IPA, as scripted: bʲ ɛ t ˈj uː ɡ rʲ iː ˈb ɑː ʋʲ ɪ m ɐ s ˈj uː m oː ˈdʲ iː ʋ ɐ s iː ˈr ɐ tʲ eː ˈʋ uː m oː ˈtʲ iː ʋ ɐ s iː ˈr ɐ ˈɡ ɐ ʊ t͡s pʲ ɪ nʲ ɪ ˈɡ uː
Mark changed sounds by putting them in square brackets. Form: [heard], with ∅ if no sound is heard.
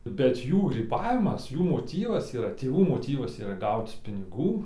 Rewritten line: bʲ ɛ t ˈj uː ɡ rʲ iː ˈb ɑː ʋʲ ɪ m ɐ s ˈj uː m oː [ˈtʲ] iː ʋ ɐ s iː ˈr ɐ tʲ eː ˈʋ uː m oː ˈtʲ iː ʋ ɐ s iː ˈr ɐ ˈɡ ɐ ʊ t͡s pʲ ɪ nʲ ɪ ˈɡ uː